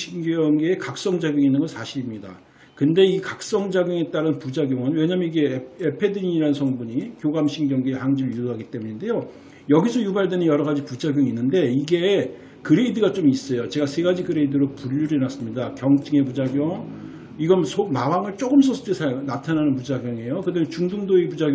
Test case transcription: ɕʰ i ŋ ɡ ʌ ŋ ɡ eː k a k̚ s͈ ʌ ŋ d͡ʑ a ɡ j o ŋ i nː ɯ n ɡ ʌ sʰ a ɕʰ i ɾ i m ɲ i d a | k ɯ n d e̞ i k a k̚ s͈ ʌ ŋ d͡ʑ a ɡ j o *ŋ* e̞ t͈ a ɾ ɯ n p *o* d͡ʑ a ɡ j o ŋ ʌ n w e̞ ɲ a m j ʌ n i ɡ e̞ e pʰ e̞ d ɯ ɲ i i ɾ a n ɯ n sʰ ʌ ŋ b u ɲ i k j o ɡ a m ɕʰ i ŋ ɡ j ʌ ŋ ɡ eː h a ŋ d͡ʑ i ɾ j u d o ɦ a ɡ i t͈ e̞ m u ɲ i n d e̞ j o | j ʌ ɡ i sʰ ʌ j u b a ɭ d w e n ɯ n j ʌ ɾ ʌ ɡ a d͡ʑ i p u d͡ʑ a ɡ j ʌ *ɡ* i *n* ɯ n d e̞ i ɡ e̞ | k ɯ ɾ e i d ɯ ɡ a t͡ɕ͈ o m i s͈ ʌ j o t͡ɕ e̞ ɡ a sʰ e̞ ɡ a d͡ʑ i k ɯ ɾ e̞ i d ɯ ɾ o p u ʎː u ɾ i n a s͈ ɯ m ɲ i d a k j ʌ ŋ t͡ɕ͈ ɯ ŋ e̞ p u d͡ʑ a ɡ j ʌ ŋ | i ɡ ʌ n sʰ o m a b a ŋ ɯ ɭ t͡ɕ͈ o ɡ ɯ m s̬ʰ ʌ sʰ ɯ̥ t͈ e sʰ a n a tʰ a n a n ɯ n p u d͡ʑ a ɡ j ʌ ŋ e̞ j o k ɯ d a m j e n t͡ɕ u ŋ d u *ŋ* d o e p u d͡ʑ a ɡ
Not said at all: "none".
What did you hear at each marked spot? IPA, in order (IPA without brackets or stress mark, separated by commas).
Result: ŋ, u, ŋ, nː, ŋ